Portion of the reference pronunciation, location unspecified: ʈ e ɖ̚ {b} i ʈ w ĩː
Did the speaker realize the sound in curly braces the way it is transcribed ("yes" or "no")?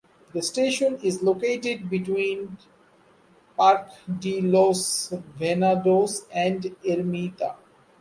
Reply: yes